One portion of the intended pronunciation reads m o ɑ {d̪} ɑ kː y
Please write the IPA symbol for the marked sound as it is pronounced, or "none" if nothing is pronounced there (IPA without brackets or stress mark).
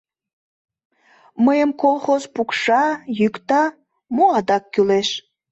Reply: d̪